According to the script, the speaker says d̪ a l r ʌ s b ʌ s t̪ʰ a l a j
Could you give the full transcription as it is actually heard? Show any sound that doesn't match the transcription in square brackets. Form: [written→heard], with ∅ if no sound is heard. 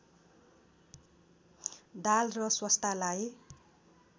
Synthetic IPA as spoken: d̪ a l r ʌ s [b→w] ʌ s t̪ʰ a l a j